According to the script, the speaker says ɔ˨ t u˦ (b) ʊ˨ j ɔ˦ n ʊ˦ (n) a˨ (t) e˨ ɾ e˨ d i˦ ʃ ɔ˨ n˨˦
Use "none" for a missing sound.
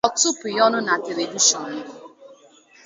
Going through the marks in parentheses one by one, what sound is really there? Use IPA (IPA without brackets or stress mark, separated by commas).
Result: p, n, t